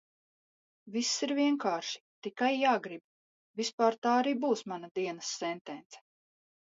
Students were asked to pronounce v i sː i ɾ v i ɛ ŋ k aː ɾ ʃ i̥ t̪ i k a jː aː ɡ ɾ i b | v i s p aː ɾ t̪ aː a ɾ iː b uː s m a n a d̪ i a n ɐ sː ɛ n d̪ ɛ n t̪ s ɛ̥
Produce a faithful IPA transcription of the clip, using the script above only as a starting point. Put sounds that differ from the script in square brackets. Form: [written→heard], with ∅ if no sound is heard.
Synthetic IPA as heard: v i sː i ɾ v i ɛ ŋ k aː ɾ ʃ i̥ t̪ i k a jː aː ɡ ɾ i b | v i s p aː ɾ t̪ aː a ɾ iː b uː s m a n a d̪ i [a→ɛ] n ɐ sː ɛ n [d̪→t̪] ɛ n t̪ s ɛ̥